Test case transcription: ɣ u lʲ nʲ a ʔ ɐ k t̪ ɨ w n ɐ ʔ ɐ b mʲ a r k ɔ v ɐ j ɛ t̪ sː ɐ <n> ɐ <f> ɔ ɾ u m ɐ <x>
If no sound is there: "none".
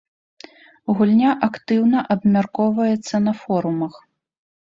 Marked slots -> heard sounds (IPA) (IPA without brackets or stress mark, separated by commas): n, f, x